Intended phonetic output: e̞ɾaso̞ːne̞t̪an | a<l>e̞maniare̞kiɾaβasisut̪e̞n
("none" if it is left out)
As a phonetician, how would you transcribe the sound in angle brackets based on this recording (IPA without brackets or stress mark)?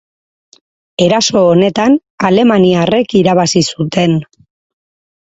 l